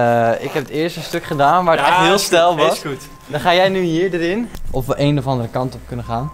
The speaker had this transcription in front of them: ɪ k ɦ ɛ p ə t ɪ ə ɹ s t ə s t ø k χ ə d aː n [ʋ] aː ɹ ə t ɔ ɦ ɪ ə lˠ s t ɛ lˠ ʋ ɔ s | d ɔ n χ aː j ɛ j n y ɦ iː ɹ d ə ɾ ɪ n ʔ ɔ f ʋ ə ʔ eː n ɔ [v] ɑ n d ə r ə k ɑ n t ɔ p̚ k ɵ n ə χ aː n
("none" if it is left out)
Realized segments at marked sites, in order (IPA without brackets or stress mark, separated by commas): ʋ, f